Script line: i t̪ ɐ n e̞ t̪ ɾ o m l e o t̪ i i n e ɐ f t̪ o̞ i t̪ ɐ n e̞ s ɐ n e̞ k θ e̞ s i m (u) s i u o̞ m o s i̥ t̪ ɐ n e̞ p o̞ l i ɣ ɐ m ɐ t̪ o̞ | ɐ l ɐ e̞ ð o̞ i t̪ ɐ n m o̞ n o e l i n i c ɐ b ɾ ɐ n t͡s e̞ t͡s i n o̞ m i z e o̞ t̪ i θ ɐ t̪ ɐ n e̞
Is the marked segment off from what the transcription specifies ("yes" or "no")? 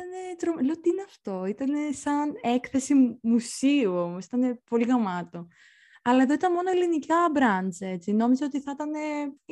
no